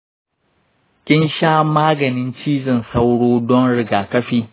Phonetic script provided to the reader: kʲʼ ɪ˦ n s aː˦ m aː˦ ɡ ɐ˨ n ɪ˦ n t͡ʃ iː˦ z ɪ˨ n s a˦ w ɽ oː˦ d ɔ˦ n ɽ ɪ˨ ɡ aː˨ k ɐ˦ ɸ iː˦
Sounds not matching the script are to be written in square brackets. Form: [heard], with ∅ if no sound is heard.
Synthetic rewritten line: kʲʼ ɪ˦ n [ʃ] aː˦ m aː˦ ɡ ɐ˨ n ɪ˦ n t͡ʃ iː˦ z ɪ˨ n s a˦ w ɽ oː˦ d ɔ˦ n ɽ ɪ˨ ɡ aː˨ k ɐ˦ ɸ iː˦